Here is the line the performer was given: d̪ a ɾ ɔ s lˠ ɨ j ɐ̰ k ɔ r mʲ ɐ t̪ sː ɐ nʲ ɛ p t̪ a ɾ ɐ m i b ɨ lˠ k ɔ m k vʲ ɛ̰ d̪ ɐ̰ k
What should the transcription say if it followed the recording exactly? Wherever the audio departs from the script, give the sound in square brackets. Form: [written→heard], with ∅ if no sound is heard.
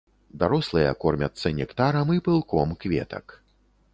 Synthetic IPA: d̪ a ɾ ɔ s lˠ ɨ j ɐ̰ k ɔ r mʲ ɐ t̪ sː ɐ nʲ ɛ [p→k] t̪ a ɾ ɐ m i [b→p] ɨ lˠ k ɔ m k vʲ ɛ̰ [d̪→t̪] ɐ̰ k